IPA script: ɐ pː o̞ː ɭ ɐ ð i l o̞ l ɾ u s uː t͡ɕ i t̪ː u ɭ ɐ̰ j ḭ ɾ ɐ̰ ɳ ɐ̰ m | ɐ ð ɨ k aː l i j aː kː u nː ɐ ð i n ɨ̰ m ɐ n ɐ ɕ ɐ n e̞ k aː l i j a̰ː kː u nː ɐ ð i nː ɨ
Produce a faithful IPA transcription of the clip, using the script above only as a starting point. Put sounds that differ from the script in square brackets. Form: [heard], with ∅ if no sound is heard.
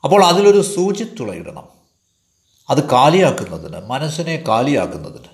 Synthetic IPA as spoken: ɐ pː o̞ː ɭ ɐ ð i l o̞ [∅] ɾ u s uː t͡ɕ i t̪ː u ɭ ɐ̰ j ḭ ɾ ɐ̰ ɳ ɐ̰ m | ɐ ð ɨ k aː l i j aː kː u nː ɐ ð i n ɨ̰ m ɐ n ɐ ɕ ɐ n e̞ k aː l i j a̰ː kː u nː ɐ ð i [n] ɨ